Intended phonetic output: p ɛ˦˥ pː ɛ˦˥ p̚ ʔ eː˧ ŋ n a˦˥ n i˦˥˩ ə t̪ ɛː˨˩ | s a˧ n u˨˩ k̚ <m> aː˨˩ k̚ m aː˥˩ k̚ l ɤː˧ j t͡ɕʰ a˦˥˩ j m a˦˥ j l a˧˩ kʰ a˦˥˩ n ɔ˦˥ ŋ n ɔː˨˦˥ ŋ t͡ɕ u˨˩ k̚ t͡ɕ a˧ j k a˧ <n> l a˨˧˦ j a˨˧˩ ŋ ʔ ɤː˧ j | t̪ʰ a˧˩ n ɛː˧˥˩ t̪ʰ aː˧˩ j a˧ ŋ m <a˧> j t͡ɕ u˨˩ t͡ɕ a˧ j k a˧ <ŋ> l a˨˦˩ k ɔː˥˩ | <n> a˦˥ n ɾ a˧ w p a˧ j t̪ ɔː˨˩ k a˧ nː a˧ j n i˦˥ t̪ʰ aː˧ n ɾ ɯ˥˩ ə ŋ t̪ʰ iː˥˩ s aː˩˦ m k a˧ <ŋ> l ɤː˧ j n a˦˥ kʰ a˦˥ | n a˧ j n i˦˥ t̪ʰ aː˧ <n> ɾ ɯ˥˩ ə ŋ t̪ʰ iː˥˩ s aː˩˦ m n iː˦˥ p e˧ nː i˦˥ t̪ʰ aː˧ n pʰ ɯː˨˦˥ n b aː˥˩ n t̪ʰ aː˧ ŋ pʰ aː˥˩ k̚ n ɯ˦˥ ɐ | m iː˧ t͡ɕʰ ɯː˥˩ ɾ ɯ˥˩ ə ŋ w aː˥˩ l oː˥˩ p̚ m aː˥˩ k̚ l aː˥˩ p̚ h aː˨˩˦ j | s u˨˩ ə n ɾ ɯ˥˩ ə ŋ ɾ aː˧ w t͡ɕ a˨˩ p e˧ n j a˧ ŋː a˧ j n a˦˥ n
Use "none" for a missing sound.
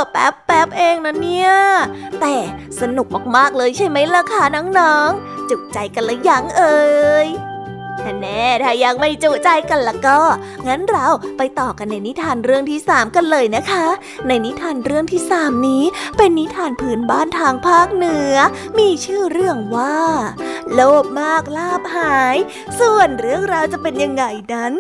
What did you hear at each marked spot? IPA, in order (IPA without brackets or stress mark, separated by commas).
m, n, a˥˩, n, ŋ, n, n